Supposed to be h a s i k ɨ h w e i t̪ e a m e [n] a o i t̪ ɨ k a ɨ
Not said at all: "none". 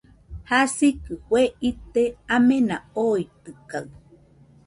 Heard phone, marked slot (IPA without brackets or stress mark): n